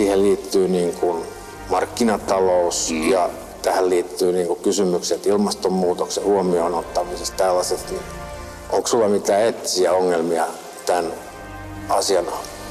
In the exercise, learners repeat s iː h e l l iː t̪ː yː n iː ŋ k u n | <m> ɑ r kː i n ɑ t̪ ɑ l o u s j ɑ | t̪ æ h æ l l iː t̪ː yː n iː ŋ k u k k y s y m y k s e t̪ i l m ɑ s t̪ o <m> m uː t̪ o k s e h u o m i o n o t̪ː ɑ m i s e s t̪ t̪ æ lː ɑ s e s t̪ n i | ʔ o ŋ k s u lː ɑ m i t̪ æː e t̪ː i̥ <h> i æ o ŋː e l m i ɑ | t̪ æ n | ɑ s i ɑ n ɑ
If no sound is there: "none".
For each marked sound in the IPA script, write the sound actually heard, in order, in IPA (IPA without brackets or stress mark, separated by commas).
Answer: m, m, s